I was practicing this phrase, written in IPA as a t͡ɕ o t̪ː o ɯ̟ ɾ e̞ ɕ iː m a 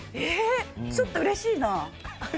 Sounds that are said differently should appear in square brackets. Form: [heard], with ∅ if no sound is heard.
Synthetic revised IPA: [e] t͡ɕ o t̪ː o ɯ̟ ɾ e̞ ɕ iː [n] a